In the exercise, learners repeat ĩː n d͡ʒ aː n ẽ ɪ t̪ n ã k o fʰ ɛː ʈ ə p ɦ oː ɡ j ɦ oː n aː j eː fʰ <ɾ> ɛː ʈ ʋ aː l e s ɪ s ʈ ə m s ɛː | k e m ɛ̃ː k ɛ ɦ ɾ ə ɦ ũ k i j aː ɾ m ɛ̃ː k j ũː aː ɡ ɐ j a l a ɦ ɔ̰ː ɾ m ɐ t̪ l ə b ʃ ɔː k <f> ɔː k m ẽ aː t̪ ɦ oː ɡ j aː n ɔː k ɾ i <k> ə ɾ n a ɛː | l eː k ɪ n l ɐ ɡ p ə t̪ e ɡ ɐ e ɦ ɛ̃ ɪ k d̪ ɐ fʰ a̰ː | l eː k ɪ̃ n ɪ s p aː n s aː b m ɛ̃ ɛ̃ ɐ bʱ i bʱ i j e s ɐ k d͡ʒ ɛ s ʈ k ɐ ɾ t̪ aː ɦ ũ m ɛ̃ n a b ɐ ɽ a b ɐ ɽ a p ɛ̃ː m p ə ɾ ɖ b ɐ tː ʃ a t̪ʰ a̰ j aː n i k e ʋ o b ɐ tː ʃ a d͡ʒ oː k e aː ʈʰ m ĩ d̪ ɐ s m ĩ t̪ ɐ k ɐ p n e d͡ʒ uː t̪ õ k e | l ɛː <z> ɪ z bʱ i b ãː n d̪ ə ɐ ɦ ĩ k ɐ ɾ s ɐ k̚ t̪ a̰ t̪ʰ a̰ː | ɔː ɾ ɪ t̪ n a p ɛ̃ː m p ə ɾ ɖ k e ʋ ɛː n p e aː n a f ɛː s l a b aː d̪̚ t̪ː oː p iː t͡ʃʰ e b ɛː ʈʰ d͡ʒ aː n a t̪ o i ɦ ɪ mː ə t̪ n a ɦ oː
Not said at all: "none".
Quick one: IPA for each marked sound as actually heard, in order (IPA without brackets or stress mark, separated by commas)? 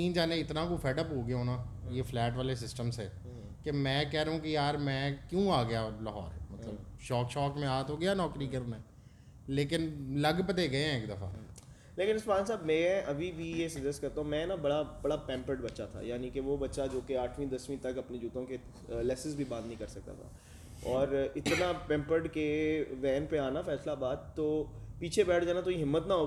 l, ʃ, k, s